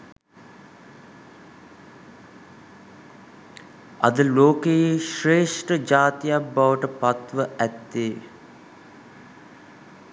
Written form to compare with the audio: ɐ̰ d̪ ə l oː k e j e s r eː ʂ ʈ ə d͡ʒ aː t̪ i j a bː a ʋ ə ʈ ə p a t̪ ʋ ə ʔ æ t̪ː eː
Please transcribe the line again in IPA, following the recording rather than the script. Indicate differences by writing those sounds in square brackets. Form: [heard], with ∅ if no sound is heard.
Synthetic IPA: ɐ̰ d̪ ə l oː k e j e [ʃ] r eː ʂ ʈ ə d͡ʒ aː t̪ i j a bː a ʋ ə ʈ ə p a t̪ ʋ ə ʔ æ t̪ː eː